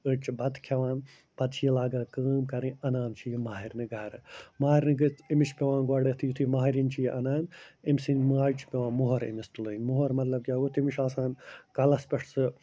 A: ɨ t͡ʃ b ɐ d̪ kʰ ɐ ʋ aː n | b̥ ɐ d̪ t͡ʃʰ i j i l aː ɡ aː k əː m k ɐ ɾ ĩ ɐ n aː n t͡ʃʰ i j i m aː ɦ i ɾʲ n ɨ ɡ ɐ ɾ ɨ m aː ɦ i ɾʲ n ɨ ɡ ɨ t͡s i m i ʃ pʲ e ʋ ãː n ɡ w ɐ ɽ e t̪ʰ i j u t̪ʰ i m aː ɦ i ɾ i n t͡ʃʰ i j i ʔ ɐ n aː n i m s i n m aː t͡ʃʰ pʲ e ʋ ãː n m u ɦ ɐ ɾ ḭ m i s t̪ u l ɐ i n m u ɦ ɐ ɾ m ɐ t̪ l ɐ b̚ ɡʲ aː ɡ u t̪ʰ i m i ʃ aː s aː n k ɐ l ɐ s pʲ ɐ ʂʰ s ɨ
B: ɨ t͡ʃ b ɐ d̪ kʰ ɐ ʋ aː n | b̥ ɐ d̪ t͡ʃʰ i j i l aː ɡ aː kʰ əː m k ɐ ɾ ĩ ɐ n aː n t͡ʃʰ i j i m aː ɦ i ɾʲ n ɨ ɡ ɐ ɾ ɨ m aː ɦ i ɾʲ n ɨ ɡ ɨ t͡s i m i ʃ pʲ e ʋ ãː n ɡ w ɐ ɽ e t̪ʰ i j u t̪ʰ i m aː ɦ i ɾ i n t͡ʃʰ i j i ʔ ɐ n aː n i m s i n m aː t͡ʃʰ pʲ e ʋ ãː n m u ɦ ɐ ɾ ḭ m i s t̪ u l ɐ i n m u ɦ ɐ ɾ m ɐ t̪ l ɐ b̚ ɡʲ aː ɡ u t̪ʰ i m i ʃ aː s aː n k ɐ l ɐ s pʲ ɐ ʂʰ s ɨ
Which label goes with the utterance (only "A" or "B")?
A